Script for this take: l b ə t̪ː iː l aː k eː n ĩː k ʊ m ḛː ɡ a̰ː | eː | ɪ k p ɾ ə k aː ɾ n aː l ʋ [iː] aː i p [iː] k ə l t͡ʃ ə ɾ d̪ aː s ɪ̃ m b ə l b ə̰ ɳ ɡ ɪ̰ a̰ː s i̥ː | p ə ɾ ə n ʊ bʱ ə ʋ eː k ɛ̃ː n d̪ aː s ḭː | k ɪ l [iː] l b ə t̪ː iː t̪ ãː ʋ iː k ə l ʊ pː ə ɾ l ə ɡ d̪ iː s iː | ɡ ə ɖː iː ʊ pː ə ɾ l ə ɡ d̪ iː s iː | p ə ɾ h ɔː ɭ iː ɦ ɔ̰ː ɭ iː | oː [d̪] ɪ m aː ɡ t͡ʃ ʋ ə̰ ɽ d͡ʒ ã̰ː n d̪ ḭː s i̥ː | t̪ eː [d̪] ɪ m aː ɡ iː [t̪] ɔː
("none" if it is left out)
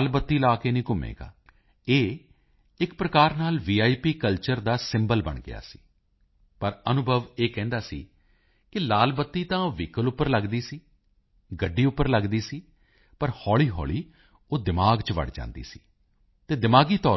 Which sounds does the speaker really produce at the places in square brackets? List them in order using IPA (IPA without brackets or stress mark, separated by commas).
iː, iː, aː, d̪, d̪, t̪